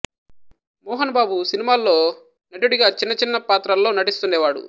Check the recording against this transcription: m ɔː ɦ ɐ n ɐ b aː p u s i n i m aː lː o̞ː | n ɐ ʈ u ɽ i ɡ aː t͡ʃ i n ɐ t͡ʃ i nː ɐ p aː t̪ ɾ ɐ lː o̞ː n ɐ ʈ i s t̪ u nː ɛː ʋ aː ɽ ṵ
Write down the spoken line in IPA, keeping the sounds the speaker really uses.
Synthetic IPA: m ɔː ɦ ɐ n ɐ b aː b u s i n i m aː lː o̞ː | n ɐ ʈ u ɽ i ɡ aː t͡ʃ i nː ɐ t͡ʃ i nː ɐ p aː t̪ ɾ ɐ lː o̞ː n ɐ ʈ i s t̪ u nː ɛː ʋ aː ɽ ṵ

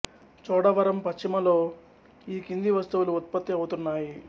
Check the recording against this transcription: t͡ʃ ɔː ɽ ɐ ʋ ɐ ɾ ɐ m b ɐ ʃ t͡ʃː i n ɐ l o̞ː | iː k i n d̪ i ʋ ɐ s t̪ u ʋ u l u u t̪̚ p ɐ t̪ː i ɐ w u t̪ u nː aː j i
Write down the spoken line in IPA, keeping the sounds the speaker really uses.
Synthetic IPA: t͡ʃ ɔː ɽ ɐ ʋ ɐ ɾ ɐ m p ɐ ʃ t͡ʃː i m ɐ l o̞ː | iː k i n d̪ i ʋ ɐ s t̪ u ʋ u l u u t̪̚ p ɐ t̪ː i ɐ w u t̪ u nː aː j i

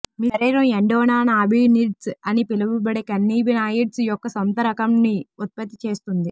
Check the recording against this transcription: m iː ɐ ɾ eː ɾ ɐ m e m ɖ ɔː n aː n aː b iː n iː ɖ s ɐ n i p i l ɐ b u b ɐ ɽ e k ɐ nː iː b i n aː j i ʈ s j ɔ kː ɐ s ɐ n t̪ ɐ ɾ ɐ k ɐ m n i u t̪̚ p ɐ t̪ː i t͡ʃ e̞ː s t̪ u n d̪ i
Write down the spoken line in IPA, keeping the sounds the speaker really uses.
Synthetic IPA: m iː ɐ ɾ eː ɾ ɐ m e ɳ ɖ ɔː n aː n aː b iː n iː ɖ s ɐ n i p i l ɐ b u b ɐ ɽ e k ɐ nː iː b i n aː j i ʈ s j ɔ kː ɐ s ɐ n t̪ ɐ ɾ ɐ k ɐ m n i u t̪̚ p ɐ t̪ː i t͡ʃ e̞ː s t̪ u n d̪ i

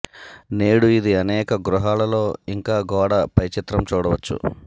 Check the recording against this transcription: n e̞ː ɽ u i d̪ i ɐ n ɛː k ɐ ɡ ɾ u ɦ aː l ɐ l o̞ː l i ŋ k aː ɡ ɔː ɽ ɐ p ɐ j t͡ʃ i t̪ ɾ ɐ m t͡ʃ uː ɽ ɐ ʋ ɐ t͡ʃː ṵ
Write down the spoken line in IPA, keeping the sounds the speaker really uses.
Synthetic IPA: n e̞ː ɽ u i d̪ i ɐ n ɛː k ɐ ɡ ɾ u ɦ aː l ɐ l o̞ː i ŋ k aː ɡ ɔː ɽ ɐ p ɐ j t͡ʃ i t̪ ɾ ɐ m t͡ʃ uː ɽ ɐ ʋ ɐ t͡ʃː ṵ

